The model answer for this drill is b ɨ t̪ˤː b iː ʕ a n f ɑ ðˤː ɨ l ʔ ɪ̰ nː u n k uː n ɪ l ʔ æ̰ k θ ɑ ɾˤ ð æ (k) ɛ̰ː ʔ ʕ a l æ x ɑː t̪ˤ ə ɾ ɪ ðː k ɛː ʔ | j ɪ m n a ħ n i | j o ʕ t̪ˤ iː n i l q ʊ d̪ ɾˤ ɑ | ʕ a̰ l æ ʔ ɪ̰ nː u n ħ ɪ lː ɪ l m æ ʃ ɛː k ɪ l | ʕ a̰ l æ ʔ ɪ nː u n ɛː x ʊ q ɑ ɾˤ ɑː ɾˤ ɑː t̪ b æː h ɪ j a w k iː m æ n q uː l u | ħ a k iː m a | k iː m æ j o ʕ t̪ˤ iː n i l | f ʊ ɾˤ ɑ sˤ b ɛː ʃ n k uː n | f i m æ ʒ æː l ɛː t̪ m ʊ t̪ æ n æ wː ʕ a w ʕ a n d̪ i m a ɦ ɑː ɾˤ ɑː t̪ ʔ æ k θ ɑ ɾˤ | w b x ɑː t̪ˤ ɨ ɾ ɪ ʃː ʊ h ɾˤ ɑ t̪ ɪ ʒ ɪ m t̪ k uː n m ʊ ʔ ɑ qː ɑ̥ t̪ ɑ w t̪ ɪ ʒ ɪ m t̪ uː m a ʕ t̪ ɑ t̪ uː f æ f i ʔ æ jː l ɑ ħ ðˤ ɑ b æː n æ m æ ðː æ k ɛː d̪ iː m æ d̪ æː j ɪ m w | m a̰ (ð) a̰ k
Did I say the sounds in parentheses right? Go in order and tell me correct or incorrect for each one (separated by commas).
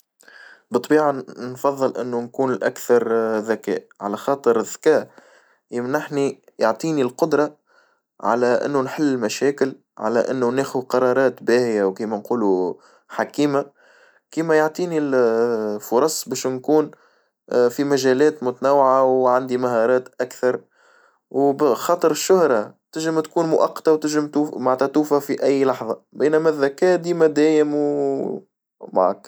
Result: correct, incorrect